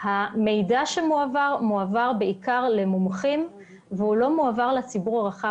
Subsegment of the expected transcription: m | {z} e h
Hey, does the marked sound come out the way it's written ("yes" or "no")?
no